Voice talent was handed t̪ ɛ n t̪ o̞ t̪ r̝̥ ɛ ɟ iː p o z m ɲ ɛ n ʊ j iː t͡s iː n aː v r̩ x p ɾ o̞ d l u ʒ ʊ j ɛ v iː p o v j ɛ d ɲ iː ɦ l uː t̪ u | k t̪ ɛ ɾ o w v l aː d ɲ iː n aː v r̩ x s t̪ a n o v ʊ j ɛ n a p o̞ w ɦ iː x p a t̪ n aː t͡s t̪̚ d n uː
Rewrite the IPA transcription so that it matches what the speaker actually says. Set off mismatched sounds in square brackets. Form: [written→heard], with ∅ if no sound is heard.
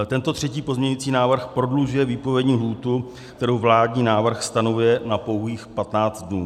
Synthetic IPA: t̪ ɛ n t̪ o̞ t̪ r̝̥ ɛ [ɟ→c] iː p o z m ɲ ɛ [n→ɲ] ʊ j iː t͡s iː n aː v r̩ x p ɾ o̞ d l u ʒ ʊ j ɛ v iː p o v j ɛ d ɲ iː ɦ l uː t̪ u | k t̪ ɛ ɾ o w v l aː d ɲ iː n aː v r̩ x s t̪ a n o v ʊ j ɛ n a p o̞ w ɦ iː x p a t̪ n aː t͡s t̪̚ d n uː